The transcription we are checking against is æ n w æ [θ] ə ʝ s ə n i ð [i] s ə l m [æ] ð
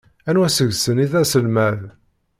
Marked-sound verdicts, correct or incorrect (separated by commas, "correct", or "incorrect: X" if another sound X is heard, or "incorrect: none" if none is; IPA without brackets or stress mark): incorrect: s, incorrect: æ, correct